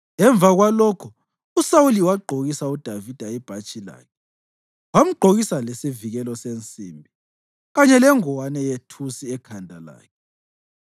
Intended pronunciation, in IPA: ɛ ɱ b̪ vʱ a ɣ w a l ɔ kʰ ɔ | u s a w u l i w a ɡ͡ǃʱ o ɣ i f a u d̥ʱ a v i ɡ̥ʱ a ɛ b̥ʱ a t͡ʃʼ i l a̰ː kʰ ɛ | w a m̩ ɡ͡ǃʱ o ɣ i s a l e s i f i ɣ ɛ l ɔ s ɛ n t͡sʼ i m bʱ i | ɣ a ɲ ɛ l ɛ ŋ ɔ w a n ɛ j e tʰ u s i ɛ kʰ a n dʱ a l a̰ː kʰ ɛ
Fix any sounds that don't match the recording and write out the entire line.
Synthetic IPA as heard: ɛ ɱ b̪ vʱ a ɣ w a l ɔ kʰ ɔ | u s a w u l i w a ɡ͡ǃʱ o ɣ i s a u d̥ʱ a v i d̥ʱ a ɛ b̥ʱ a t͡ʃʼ i l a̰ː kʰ ɛ | w a m̩ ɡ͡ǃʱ o ɣ i s a l e s i v i ɣ ɛ l ɔ s e n t͡sʼ i m bʱ i | ɣ a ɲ ɛ l ɛ ŋ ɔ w a n ɛ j e tʰ u s i ɛ kʰ a n dʱ a l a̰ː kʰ ɛ